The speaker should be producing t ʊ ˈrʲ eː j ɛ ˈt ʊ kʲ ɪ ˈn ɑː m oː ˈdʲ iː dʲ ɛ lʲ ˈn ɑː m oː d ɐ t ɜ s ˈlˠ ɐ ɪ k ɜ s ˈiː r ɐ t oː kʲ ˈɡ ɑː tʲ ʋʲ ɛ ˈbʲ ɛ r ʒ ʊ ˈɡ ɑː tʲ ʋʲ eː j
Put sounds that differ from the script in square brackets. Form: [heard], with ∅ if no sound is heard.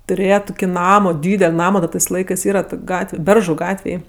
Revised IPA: t ʊ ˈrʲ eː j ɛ ˈt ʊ kʲ ɪ ˈn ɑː m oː ˈdʲ iː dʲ ɛ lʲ ˈn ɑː m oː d ɐ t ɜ s ˈlˠ ɐ ɪ k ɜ s ˈiː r ɐ t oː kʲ ˈɡ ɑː tʲ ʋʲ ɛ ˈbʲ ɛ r ʒ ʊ ˈɡ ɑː tʲ ʋʲ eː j